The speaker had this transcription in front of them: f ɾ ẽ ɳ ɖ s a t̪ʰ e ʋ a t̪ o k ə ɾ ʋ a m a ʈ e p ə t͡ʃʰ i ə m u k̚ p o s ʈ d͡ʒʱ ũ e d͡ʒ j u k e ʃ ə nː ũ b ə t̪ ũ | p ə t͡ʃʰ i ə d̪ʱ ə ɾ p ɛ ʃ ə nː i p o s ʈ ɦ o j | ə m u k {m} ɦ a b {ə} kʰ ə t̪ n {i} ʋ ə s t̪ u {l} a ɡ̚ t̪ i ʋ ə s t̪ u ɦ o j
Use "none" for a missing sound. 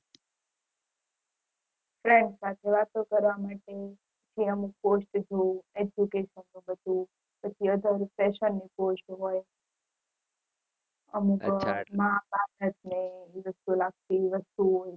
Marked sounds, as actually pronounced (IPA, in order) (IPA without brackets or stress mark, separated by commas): m, a, e, l